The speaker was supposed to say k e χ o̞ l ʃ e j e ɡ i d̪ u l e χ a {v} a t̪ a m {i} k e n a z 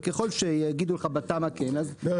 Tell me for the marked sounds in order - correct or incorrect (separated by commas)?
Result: incorrect, incorrect